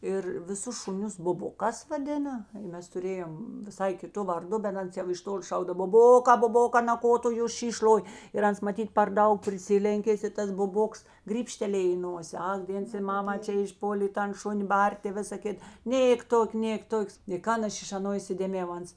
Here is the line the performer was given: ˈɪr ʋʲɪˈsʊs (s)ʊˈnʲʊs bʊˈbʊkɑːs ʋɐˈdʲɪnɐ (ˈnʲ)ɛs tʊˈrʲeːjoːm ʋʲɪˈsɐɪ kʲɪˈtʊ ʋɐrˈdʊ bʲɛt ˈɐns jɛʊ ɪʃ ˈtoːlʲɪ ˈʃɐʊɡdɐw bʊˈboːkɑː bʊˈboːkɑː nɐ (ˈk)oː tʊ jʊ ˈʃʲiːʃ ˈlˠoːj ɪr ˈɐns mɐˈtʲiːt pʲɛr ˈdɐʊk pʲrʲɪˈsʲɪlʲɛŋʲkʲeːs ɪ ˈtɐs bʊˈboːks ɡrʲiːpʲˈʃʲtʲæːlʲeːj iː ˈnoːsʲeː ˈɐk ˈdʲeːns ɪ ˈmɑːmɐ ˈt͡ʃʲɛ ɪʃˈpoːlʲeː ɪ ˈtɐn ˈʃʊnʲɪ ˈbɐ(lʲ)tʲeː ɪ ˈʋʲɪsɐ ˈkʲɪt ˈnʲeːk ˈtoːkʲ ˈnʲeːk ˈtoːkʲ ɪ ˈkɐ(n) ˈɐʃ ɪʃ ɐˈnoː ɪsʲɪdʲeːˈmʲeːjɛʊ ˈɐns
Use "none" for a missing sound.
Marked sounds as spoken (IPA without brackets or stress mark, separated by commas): ʃ, mʲ, k, rʲ, n